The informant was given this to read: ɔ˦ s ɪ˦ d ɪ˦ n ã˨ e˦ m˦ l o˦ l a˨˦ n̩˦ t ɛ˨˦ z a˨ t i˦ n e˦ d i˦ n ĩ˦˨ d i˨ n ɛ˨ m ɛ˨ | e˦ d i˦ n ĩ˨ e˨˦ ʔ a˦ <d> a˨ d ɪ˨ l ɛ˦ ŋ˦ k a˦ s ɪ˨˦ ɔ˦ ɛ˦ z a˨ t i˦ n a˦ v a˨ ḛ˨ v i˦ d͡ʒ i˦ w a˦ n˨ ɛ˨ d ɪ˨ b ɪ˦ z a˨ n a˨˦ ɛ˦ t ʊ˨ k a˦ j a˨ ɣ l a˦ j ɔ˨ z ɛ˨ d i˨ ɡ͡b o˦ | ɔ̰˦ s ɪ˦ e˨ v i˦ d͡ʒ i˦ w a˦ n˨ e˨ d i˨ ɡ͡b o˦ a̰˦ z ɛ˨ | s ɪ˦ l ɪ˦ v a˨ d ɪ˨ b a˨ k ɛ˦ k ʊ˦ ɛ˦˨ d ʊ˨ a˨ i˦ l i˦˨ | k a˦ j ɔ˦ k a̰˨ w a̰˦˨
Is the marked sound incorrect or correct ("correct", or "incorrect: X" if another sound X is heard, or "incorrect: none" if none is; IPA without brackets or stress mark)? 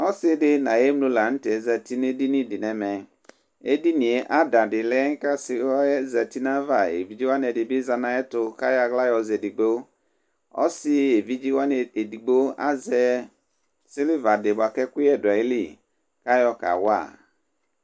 correct